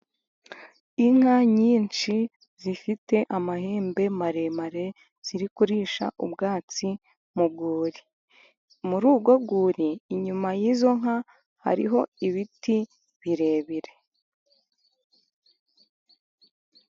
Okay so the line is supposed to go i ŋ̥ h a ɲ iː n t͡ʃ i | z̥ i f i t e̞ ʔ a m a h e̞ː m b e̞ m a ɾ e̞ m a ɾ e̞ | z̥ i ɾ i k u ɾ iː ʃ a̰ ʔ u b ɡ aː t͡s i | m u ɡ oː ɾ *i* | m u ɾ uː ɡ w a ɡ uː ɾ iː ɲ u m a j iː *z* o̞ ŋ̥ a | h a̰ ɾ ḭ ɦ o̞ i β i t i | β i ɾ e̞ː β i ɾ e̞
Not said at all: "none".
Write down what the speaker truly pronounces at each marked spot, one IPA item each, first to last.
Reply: i, z

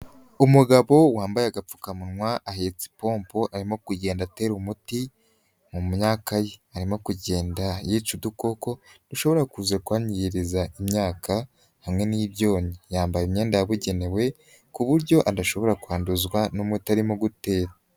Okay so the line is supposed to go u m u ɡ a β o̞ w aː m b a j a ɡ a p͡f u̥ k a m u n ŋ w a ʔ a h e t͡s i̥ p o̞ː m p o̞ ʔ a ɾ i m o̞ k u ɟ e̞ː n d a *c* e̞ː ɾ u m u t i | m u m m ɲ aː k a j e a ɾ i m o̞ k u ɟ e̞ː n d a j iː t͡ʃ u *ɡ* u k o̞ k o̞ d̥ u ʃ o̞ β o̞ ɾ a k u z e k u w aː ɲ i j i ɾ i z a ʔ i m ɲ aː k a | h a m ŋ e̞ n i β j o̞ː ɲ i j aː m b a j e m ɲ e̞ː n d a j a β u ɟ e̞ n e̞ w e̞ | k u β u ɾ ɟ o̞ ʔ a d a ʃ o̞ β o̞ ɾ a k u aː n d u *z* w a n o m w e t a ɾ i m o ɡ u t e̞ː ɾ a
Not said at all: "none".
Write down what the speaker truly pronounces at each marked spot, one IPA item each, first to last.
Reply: t, d, z

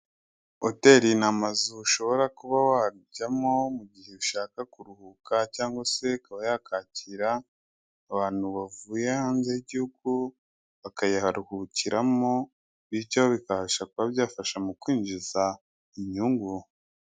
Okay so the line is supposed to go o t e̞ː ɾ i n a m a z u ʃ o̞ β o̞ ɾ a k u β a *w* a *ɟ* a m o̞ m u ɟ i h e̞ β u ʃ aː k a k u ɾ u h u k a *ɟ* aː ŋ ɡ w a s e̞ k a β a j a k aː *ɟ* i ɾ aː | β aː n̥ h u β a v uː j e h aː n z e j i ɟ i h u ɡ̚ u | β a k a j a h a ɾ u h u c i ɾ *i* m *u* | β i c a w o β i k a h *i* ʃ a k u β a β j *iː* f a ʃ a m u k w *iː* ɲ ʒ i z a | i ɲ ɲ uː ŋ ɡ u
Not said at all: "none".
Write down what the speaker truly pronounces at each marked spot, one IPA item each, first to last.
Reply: w, ɟ, c, c, a, o, a, aː, iː

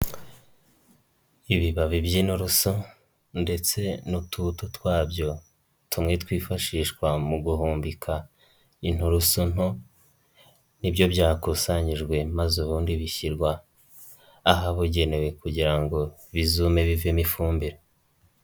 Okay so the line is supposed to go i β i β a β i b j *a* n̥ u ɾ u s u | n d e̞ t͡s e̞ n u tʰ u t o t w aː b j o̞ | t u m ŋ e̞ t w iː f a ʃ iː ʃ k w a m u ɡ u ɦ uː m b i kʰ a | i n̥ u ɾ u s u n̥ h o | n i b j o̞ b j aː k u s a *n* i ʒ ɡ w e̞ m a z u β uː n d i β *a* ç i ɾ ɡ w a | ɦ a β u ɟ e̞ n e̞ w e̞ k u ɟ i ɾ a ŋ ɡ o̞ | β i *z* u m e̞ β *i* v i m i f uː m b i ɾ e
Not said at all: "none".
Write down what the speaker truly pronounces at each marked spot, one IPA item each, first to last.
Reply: i, ɲ, i, z, i

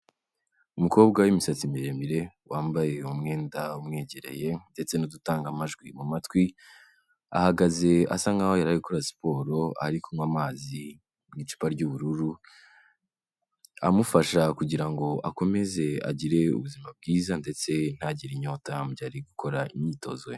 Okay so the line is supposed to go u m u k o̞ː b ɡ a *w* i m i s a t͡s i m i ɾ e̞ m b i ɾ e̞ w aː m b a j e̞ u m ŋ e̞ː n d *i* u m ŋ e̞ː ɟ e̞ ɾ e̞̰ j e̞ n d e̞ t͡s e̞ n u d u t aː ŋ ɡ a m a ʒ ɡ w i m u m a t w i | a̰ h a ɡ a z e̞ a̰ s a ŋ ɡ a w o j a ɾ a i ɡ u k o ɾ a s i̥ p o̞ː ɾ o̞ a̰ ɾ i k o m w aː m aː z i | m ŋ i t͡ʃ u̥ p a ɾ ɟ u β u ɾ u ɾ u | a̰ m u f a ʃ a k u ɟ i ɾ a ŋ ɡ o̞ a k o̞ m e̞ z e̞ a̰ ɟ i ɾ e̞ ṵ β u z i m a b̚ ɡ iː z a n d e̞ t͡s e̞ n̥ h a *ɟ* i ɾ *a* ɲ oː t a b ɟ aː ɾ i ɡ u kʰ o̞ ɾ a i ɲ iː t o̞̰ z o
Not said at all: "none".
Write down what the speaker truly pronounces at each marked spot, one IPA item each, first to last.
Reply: w, a, ɟ, i

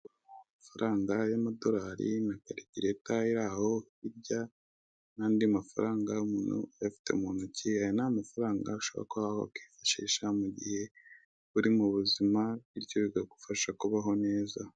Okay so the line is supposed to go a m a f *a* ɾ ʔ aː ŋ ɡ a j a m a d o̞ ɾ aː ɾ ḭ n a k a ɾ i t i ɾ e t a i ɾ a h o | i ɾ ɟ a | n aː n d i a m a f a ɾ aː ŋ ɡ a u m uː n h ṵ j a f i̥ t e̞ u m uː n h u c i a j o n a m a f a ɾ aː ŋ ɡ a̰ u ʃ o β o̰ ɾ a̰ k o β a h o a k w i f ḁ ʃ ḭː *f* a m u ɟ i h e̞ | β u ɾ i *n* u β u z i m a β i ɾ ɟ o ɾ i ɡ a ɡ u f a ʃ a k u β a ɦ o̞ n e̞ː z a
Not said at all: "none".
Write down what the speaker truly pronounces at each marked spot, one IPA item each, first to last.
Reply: a, ʃ, m

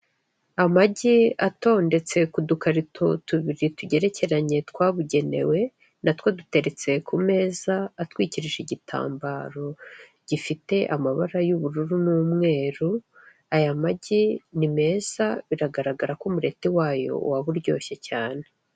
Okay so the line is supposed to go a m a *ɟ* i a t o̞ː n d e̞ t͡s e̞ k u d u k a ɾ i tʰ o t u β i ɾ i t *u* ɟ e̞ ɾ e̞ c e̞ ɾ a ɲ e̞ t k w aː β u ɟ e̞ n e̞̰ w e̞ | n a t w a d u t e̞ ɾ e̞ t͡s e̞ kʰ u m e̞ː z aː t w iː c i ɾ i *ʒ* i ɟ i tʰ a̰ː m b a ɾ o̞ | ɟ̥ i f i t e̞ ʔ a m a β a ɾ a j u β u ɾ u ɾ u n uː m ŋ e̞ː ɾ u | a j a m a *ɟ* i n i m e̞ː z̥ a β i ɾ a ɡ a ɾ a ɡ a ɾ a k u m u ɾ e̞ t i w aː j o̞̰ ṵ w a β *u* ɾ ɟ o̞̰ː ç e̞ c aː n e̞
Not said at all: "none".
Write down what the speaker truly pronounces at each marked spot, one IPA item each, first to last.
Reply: ɟ, u, ʒ, ɟ, u

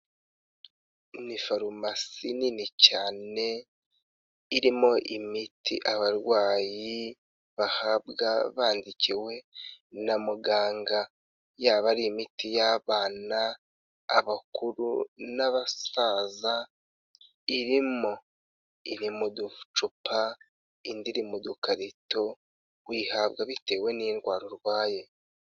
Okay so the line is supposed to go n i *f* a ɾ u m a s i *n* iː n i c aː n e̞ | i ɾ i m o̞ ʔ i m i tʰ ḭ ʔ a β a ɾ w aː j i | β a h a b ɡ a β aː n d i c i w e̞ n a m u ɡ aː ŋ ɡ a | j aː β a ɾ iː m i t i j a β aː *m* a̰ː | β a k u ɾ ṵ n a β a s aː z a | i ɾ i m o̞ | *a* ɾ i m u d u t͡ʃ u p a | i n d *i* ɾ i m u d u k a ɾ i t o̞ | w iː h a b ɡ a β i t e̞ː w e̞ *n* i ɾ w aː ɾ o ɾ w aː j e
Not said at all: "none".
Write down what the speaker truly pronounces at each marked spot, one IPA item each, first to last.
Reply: f, n, n, i, i, n

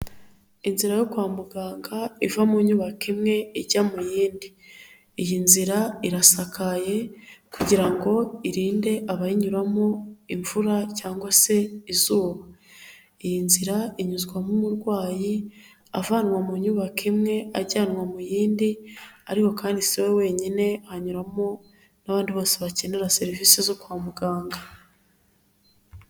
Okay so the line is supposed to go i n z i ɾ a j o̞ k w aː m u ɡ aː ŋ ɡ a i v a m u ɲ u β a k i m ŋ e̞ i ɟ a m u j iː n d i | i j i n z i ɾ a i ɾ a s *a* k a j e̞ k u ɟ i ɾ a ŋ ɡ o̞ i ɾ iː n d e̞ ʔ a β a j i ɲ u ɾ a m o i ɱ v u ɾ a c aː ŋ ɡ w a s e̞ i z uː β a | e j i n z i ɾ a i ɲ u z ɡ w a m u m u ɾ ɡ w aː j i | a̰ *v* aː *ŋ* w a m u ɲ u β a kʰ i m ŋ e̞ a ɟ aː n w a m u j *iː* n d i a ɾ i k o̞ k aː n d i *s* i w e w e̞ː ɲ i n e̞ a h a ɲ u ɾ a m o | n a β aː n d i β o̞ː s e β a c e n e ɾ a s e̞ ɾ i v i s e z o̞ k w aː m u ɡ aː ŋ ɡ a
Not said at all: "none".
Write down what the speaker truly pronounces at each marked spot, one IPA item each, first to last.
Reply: a, v, n, iː, s

